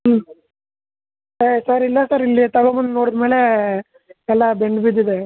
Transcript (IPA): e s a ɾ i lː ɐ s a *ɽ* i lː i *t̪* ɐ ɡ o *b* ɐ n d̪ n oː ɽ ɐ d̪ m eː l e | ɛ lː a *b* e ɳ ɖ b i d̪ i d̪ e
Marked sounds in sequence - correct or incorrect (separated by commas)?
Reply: incorrect, correct, incorrect, correct